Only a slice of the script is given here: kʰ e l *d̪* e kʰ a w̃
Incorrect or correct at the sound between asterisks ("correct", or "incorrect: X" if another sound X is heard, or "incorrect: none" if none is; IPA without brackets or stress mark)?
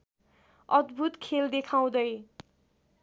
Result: correct